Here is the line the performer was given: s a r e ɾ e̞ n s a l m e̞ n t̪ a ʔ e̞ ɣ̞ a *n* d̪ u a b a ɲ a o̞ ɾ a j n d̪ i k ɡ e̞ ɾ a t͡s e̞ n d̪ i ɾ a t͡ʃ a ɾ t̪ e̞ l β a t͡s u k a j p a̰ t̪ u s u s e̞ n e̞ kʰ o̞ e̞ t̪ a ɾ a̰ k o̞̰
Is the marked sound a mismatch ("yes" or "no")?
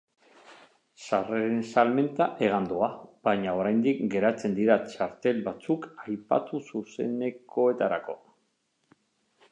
no